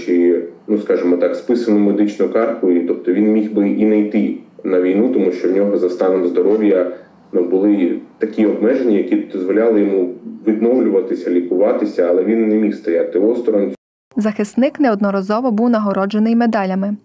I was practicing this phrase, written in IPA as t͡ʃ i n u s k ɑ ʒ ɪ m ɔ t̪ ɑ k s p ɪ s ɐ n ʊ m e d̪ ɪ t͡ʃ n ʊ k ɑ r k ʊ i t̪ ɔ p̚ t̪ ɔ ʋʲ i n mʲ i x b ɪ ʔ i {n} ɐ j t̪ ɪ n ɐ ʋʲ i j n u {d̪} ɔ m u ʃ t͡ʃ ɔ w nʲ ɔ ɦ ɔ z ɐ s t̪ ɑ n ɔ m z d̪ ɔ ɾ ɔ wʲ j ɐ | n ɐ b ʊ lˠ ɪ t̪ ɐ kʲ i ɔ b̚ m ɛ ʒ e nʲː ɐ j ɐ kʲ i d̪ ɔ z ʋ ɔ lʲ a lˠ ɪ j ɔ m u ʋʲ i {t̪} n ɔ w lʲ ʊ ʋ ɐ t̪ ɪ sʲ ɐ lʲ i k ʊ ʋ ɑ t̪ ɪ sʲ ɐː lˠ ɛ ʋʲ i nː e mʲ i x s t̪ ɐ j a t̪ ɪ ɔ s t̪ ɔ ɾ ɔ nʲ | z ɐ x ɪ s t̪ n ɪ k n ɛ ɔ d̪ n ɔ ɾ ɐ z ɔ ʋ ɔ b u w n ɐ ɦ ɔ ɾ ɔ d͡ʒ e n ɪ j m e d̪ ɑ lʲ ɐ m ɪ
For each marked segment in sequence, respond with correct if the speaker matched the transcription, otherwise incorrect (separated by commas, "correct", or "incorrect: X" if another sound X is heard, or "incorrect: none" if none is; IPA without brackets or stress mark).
correct, incorrect: t̪, incorrect: d̪